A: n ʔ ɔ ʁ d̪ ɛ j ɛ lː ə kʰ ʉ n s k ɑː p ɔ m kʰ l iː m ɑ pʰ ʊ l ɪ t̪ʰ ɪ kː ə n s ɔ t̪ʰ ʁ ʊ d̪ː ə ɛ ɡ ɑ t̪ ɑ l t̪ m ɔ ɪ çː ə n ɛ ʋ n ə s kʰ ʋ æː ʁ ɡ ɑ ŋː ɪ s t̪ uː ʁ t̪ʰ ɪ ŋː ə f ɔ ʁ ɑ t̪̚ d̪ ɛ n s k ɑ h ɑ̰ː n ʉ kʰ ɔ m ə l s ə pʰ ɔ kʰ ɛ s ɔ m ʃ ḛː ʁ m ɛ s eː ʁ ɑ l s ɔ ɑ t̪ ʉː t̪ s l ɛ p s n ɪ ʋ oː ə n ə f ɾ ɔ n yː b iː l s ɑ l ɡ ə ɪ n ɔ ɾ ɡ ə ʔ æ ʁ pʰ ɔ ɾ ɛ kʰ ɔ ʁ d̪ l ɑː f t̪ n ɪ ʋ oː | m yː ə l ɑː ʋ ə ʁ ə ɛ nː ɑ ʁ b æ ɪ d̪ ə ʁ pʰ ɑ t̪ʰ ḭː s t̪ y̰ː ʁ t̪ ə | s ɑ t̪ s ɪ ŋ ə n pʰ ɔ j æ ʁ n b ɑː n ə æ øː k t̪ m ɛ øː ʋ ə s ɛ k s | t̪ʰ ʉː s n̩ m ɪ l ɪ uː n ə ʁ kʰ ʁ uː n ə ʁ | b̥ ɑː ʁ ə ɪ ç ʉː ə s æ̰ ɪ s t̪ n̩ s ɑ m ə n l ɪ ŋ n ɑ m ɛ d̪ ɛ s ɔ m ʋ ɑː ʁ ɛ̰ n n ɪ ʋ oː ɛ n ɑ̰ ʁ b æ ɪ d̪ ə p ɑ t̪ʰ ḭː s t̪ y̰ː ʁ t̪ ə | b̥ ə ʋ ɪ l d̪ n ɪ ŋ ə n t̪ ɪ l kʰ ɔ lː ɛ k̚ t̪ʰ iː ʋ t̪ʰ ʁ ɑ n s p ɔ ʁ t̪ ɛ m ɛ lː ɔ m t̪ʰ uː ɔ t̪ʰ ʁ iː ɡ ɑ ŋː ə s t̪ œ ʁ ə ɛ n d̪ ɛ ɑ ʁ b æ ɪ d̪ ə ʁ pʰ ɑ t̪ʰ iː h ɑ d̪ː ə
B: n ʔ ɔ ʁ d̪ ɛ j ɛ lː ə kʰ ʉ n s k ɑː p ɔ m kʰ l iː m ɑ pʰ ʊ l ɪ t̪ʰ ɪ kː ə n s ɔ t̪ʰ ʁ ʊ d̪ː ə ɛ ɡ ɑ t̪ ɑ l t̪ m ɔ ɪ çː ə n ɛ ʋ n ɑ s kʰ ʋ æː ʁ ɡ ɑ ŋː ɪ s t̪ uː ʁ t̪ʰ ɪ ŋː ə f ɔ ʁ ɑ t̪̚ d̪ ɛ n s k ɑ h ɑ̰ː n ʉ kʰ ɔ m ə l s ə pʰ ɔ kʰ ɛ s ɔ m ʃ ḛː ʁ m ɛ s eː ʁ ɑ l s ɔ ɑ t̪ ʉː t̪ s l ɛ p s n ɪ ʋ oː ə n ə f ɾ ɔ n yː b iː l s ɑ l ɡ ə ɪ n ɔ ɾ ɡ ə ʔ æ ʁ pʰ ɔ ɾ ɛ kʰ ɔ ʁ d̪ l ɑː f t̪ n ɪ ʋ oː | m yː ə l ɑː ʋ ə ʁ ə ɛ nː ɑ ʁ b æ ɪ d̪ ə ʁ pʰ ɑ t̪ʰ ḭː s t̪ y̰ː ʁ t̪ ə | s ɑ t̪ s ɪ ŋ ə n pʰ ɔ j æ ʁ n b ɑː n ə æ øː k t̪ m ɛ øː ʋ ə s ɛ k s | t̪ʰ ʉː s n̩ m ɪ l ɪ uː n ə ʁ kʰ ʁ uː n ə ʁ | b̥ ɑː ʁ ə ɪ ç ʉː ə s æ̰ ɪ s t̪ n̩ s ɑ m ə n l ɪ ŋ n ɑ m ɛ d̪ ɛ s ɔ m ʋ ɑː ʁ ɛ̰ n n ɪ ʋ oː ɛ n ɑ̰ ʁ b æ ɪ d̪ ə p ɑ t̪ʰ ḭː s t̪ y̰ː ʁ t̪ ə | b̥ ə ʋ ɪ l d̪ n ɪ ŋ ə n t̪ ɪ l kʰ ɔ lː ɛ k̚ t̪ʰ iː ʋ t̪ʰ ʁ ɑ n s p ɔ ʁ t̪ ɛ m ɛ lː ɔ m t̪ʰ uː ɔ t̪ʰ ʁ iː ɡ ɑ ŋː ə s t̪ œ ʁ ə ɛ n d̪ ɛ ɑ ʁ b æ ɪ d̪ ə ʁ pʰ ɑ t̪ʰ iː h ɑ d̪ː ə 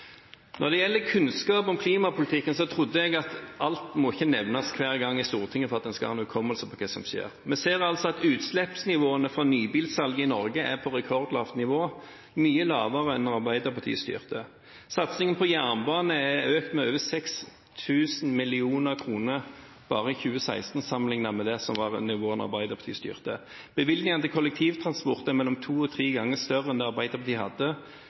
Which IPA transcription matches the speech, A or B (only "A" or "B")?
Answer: B